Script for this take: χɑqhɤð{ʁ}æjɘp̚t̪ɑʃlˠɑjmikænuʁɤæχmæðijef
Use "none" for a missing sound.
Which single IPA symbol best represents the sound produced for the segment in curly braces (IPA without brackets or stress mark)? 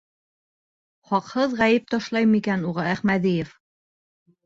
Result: ʁ